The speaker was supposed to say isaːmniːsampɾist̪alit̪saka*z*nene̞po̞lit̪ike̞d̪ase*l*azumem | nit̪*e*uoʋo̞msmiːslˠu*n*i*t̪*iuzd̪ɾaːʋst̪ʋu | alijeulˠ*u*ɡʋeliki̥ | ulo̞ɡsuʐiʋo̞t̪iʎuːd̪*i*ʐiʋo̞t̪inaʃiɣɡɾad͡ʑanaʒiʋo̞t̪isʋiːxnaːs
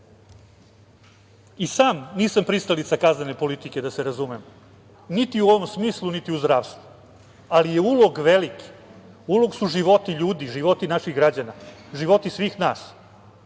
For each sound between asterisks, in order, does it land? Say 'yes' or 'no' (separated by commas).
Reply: yes, no, no, yes, yes, no, yes